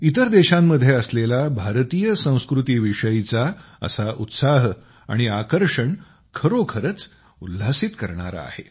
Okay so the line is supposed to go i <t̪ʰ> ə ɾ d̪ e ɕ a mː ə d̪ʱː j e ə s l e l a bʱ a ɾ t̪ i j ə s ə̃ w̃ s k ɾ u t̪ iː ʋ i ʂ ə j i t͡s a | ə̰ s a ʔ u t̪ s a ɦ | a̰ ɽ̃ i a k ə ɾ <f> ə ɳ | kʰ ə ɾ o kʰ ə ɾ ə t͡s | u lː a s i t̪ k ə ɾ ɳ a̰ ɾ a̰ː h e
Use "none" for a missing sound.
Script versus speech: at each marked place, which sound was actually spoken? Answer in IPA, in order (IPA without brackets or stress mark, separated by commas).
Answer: t̪, ʂ